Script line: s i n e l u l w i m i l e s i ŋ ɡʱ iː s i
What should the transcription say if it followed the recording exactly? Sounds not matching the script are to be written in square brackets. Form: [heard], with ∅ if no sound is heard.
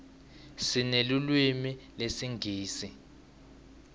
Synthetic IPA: s i n e l u l w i m i l e s i ŋ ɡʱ iː s i